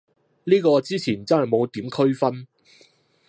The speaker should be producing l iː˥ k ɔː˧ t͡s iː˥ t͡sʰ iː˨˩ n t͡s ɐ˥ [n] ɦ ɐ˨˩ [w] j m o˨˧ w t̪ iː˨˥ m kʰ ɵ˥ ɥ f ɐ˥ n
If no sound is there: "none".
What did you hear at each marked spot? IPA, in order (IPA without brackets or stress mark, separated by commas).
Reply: n, none